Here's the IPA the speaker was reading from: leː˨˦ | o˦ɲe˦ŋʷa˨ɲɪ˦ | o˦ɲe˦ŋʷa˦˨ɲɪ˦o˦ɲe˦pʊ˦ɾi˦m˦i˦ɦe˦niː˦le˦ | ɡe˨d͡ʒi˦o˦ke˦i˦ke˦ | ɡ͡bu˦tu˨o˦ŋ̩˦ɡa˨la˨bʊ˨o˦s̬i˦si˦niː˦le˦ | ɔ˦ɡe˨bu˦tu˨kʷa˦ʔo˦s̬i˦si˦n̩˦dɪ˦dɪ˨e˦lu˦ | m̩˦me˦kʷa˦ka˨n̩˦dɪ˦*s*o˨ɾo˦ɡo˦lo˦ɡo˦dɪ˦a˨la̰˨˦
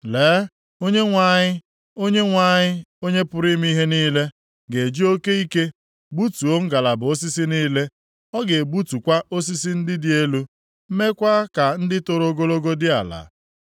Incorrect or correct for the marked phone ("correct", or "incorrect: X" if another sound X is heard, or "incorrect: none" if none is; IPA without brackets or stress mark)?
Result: incorrect: t